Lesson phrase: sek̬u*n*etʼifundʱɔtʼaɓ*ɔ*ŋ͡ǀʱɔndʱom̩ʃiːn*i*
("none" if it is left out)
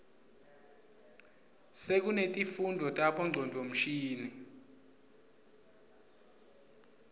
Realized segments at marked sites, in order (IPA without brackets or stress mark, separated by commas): n, ɔ, i